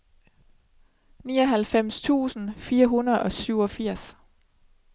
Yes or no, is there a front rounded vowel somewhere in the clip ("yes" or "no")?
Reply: yes